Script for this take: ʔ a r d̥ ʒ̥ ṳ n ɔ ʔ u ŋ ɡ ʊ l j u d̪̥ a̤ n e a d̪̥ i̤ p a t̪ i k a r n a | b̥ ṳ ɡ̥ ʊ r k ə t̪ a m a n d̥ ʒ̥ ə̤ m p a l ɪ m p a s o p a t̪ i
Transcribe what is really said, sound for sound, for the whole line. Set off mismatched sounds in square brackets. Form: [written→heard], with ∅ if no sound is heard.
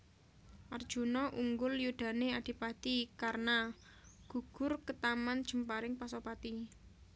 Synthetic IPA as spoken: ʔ a r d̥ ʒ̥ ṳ n ɔ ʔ u ŋ ɡ ʊ l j u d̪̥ a̤ n e a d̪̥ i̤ p a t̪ i k a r n a | [b̥→ɡ̥] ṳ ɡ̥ ʊ r k ə t̪ a m a n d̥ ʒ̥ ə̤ m p a [l→ɾ] ɪ [m→ŋ] p a s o p a t̪ i